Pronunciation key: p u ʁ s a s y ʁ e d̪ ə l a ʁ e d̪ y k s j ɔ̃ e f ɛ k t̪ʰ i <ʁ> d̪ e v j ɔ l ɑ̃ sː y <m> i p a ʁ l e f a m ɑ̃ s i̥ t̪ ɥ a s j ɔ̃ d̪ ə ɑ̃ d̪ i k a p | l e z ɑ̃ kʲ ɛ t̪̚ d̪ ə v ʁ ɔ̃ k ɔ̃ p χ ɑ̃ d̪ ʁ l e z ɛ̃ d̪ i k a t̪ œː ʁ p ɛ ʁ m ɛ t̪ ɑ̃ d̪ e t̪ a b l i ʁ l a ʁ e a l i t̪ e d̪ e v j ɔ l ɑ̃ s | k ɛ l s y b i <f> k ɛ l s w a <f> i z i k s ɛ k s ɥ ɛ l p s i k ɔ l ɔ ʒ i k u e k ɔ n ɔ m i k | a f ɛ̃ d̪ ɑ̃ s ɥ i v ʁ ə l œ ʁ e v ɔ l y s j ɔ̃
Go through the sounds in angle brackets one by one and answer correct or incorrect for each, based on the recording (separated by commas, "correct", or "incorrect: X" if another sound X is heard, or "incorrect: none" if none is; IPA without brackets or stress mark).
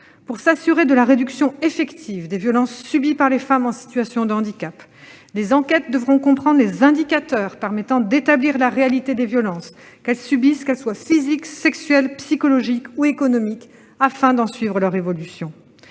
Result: incorrect: v, incorrect: b, incorrect: s, correct